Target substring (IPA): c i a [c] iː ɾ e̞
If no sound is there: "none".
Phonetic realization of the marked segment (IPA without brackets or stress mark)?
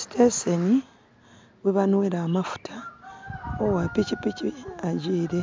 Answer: ɟ